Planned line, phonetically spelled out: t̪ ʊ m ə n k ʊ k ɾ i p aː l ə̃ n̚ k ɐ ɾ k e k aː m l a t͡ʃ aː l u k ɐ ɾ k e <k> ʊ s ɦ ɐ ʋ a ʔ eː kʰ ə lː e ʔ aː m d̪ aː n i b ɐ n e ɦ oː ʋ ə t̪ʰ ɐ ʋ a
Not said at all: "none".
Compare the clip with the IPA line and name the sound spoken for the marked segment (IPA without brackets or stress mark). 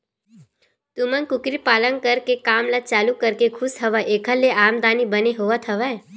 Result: kʰ